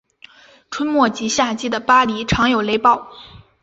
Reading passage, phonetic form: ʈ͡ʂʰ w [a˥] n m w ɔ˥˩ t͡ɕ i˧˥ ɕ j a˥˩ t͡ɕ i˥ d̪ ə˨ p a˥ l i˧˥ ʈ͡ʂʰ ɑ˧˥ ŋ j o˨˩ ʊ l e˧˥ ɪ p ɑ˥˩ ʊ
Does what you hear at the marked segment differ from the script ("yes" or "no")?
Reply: yes